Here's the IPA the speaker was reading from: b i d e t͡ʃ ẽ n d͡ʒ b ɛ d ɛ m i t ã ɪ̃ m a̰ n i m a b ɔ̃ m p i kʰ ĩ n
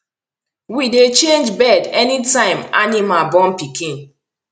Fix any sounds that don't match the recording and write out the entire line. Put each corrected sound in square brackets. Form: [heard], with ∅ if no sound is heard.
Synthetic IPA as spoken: [w] i d e t͡ʃ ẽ n d͡ʒ b ɛ d ɛ [n] i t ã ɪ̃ m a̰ n i m a b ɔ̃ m p i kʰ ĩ n